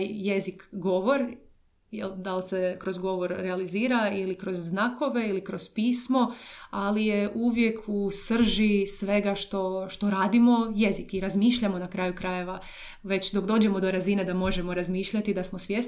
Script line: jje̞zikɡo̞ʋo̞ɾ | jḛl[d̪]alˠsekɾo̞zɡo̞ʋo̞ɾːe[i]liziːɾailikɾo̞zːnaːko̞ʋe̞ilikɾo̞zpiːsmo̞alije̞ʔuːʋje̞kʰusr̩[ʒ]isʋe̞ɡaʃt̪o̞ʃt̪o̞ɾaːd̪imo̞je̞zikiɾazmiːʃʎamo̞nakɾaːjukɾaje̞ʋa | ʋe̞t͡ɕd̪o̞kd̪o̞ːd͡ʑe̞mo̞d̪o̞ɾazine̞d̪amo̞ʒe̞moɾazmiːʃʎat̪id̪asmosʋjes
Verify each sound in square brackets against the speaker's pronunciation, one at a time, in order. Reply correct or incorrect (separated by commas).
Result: correct, incorrect, correct